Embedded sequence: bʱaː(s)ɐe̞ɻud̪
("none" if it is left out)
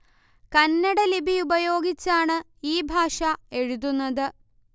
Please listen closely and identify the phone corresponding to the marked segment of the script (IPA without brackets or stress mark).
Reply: ʂ